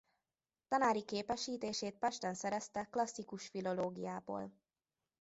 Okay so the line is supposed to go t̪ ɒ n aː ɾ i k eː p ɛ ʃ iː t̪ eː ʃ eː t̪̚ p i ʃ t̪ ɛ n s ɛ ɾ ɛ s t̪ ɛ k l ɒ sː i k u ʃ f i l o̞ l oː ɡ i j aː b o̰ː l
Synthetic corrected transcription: t̪ ɒ n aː ɾ i k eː p ɛ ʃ iː t̪ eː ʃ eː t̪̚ p ɛ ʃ t̪ ɛ n s ɛ ɾ ɛ s t̪ ɛ k l ɒ sː i k u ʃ f i l o̞ l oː ɡ i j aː b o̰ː l